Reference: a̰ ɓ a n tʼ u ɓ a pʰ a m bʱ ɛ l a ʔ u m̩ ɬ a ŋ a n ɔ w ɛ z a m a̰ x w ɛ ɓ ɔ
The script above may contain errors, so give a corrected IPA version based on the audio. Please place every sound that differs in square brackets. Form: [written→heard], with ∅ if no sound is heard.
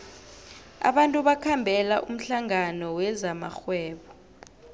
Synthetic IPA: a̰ ɓ a n tʼ u ɓ a [pʰ→kʰ] a m bʱ ɛ l a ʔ u m̩ ɬ a ŋ a n ɔ w ɛ z a m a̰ x w [ɛ→ɛː] ɓ ɔ